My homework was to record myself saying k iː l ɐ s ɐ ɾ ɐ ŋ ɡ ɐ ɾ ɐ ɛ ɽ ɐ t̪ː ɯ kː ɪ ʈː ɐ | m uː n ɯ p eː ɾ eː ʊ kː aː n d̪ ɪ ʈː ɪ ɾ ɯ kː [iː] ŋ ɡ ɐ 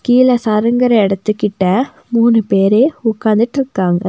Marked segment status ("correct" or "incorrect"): incorrect